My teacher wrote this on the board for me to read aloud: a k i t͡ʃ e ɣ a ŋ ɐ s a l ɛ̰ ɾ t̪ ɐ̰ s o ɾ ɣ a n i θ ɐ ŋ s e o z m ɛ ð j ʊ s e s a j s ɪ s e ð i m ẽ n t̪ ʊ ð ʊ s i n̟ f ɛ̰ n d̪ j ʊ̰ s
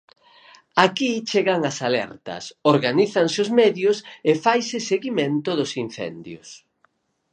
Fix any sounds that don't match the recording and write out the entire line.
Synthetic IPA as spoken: a k i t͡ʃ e ɣ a ŋ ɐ s a l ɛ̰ ɾ t̪ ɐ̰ s o ɾ ɣ a n i θ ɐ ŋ s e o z m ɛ ð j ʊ s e f a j s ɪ s e ɣ i m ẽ n t̪ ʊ ð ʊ s i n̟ θ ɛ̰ n d̪ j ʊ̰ s